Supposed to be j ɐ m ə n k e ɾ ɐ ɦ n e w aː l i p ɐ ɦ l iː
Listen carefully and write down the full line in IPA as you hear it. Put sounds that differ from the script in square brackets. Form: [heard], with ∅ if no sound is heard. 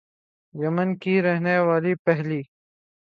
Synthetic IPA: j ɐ m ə n k [i] ɾ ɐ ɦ n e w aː l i p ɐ ɦ l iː

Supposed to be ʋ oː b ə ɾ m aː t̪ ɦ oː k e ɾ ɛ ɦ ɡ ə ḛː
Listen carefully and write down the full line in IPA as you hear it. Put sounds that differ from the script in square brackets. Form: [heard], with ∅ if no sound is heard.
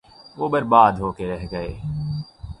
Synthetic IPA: ʋ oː b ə ɾ [b] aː [d̪] ɦ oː k e ɾ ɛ ɦ ɡ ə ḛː

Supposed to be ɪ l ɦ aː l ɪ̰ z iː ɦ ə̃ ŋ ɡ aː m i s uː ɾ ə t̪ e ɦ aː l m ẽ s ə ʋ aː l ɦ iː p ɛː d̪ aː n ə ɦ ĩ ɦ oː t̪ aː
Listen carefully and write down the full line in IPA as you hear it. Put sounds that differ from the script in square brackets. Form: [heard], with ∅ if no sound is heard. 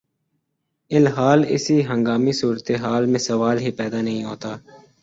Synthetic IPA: ɪ l ɦ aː l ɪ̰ [s] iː ɦ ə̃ ŋ ɡ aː m i s uː ɾ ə t̪ e ɦ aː l m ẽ s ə ʋ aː l ɦ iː p ɛː d̪ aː n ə ɦ ĩ ɦ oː t̪ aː

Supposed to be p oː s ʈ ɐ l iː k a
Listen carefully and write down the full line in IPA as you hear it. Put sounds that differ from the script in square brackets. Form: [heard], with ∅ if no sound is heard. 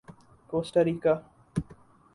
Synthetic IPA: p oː s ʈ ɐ [ɾ] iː k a

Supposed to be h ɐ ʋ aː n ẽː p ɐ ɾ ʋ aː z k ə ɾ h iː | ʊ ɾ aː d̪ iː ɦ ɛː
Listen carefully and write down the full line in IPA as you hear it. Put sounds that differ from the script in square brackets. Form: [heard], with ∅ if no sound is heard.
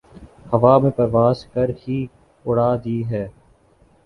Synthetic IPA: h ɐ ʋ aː [m] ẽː p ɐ ɾ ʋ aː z k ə ɾ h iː | ʊ [ɽ] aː d̪ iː ɦ ɛː

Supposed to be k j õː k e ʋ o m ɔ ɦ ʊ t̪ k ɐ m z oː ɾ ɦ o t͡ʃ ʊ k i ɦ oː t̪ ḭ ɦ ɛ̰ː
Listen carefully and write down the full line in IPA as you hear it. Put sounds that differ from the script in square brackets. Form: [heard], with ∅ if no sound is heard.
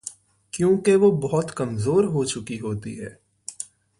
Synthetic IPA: k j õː k e ʋ o [b] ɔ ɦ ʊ t̪ k ɐ m z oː ɾ ɦ o t͡ʃ ʊ k i ɦ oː t̪ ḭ ɦ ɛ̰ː

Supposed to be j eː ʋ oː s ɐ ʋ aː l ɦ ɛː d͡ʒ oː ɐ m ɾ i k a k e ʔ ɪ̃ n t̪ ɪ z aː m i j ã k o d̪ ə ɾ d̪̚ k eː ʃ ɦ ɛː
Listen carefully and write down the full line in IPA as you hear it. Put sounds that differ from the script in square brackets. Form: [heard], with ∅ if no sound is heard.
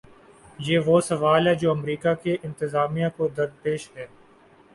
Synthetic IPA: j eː ʋ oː s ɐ ʋ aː l ɦ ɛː d͡ʒ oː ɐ m ɾ [iː] k a k e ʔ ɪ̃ n t̪ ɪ z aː m i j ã k o d̪ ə ɾ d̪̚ [p] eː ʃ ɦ ɛː

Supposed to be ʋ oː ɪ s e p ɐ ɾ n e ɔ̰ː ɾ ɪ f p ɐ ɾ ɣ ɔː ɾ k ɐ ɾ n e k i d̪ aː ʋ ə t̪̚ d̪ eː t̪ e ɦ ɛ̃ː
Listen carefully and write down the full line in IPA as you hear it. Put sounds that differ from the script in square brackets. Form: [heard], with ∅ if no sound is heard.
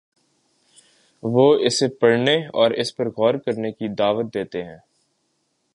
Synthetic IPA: ʋ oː ɪ s e p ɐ [ɽ] n e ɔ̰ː ɾ ɪ [s] p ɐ ɾ ɣ ɔː ɾ k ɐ ɾ n e k i d̪ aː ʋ ə t̪̚ d̪ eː t̪ e ɦ ɛ̃ː

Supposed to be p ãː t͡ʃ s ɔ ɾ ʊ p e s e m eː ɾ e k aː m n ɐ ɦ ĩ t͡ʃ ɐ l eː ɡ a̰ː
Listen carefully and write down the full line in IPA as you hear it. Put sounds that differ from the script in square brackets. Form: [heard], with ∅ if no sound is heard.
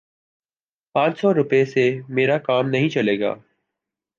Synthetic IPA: p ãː t͡ʃ s ɔ ɾ ʊ p e s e m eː ɾ [a] k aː m n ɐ ɦ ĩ t͡ʃ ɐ l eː ɡ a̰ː

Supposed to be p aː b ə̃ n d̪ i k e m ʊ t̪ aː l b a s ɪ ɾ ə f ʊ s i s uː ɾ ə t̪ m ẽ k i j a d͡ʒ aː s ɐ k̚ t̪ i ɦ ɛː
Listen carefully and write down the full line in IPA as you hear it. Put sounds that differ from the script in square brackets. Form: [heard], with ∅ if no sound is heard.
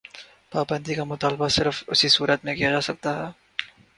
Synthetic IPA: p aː b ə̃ n d̪ i k [a] m ʊ t̪ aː l b a s ɪ ɾ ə f ʊ s i s uː ɾ ə t̪ m ẽ k i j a d͡ʒ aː s ɐ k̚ t̪ [a] ɦ ɛː

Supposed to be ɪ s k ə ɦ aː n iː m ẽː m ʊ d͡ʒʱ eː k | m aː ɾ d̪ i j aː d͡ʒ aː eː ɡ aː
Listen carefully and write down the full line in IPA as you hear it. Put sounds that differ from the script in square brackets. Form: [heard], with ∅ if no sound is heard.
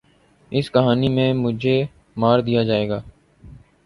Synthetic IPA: ɪ s k ə ɦ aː n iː m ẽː m ʊ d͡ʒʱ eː [∅] | m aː ɾ d̪ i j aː d͡ʒ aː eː ɡ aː

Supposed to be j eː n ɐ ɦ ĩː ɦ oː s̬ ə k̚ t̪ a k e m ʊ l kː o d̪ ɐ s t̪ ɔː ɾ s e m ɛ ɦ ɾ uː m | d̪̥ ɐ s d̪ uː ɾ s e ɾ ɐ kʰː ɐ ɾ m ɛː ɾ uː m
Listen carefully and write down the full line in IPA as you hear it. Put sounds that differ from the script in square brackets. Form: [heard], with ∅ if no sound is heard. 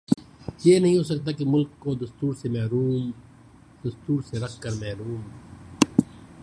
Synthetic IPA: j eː n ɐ ɦ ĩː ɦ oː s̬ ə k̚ t̪ a k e m ʊ l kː o d̪ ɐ s t̪ [uː] ɾ s e m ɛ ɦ ɾ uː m | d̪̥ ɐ s [t̪] uː ɾ s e ɾ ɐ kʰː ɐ ɾ m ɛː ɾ uː m

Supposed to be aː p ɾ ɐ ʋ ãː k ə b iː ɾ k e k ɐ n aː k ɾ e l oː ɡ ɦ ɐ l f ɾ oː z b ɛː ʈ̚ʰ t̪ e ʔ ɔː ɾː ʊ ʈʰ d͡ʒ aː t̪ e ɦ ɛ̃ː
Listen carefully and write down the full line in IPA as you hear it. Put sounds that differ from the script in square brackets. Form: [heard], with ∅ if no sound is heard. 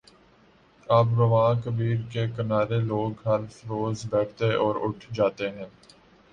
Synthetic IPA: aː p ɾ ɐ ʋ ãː k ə b iː ɾ k e k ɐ n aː [∅] ɾ e l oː ɡ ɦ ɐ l f ɾ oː z b ɛː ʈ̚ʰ t̪ e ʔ ɔː [ɾ] ʊ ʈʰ d͡ʒ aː t̪ e ɦ ɛ̃ː

